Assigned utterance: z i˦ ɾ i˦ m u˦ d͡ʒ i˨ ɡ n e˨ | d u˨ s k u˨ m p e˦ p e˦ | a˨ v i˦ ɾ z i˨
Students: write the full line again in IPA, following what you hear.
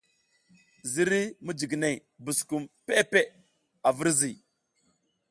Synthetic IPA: z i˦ ɾ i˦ m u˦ d͡ʒ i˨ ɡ n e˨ | b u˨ s k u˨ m p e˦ p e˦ | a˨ v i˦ ɾ z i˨